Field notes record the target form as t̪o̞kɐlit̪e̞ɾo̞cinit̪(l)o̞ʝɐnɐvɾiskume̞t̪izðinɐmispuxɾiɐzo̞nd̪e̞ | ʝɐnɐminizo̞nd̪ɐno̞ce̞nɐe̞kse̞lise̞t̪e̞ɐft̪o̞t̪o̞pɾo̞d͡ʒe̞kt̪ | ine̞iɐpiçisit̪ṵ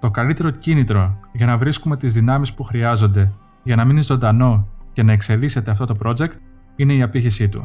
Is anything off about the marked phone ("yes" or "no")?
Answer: yes